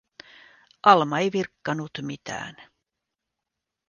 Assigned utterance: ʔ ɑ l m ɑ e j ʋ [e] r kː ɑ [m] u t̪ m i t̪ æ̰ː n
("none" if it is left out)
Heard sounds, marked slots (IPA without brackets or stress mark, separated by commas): i, n